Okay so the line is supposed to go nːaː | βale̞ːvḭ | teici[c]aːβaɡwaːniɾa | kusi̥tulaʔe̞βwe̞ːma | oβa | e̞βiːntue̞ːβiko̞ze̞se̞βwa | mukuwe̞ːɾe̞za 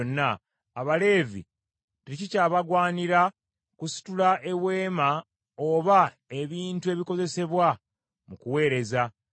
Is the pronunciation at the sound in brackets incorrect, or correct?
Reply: correct